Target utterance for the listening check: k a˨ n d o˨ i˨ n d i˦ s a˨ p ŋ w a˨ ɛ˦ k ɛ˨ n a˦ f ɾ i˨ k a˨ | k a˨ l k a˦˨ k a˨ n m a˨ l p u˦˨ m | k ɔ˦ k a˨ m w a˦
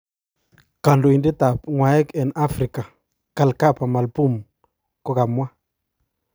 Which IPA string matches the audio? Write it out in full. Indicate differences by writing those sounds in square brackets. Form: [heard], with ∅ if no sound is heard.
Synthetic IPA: k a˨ n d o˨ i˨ n d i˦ [t] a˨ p ŋ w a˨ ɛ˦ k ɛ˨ n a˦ f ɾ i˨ k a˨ | k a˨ l k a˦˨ [p] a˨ [∅] m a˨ l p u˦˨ m | k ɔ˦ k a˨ m w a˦